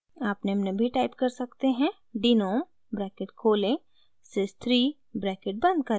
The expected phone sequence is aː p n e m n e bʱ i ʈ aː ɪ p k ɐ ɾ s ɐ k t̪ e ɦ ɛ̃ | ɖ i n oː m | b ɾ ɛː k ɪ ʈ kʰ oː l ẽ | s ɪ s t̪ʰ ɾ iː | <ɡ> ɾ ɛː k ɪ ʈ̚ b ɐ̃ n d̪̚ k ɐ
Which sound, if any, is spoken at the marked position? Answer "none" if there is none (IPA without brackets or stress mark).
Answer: b